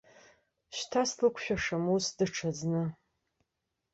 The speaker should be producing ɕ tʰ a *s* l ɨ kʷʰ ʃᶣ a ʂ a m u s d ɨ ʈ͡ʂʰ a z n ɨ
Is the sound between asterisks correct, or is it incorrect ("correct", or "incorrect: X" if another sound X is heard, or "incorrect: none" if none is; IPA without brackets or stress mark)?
correct